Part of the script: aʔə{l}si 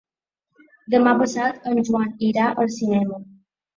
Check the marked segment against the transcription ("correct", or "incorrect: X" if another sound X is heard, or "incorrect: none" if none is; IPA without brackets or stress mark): correct